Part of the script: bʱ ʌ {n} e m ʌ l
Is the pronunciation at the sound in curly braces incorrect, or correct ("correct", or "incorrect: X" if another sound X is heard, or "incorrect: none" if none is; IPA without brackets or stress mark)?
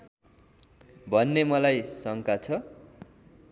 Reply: incorrect: nː